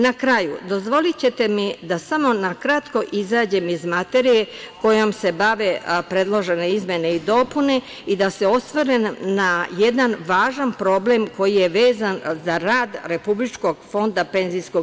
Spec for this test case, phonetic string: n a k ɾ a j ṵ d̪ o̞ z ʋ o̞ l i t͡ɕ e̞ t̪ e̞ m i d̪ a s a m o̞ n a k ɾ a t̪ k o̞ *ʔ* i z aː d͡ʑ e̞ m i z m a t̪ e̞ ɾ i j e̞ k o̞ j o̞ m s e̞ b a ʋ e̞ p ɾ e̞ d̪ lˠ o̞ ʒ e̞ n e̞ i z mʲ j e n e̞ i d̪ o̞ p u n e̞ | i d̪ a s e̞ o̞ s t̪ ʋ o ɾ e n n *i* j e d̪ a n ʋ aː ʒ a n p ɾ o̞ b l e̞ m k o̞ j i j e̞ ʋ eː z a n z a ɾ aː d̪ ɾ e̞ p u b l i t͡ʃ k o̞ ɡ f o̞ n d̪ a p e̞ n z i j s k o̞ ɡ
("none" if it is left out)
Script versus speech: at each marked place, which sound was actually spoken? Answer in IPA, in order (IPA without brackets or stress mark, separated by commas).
ʔ, a